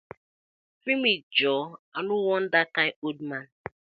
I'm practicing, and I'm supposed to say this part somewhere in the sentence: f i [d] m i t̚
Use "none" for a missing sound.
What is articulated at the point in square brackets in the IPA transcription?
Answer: none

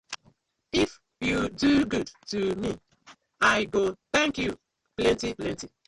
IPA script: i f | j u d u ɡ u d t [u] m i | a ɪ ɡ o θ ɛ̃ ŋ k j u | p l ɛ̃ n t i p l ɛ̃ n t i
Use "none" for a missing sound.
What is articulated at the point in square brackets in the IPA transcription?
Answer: u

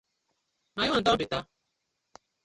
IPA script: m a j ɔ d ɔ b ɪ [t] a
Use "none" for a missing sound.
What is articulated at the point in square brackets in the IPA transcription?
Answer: t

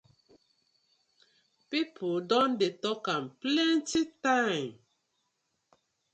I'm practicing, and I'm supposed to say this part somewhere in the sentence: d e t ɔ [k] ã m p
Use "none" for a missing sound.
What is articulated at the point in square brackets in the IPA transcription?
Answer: k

